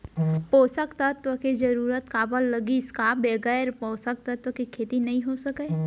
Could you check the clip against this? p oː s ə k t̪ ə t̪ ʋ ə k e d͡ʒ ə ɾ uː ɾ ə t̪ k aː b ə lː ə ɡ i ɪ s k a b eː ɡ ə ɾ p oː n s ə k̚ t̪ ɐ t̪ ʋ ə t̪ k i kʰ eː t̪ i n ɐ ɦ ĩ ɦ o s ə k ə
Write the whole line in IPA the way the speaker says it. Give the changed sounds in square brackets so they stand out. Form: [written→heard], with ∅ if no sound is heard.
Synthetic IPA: p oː s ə k t̪ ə t̪ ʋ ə k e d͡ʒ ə ɾ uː ɾ ə t̪ k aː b ə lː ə ɡ i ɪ s k a b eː ɡ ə ɾ p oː [n→∅] s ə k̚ t̪ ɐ t̪ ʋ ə [t̪→∅] k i kʰ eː t̪ i n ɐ ɦ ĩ ɦ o s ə k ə